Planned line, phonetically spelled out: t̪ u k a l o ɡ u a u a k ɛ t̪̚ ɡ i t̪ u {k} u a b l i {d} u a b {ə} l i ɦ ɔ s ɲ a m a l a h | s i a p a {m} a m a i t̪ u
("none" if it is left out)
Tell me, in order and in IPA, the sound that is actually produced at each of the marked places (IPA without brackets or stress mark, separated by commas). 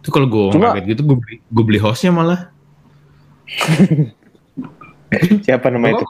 ɡ, ɡ, ə, n